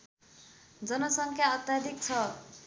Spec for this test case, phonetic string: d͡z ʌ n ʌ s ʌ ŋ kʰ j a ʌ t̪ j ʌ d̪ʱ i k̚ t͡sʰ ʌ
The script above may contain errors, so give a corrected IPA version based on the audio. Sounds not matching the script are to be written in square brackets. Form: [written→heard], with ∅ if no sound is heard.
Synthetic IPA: d͡z ʌ n ʌ s ʌ ŋ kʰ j a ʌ t̪ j [ʌ→a] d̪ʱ i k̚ t͡sʰ ʌ